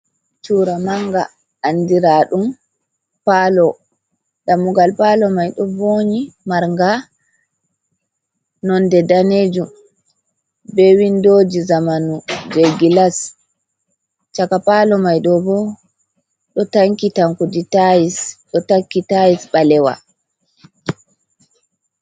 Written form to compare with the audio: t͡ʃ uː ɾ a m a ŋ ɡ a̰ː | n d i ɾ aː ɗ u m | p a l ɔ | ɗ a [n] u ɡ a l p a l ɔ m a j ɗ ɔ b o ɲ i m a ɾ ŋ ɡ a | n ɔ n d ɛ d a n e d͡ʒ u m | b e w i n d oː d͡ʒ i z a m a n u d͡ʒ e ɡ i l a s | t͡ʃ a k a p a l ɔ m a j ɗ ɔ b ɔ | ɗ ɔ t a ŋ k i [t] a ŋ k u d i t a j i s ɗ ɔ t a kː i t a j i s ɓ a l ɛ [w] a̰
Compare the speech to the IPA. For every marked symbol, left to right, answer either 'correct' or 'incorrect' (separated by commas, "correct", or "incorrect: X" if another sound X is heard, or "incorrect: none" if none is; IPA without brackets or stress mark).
incorrect: m, correct, correct